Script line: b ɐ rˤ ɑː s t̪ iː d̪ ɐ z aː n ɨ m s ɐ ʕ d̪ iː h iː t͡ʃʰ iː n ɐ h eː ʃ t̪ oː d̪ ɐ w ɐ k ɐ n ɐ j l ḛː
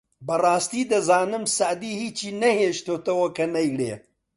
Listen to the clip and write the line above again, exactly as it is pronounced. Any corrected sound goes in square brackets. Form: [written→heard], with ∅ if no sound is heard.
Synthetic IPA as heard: b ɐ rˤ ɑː s t̪ iː d̪ ɐ z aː n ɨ m s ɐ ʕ d̪ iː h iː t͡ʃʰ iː n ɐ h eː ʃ t̪ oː [d̪→t̪] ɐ w ɐ k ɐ n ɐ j l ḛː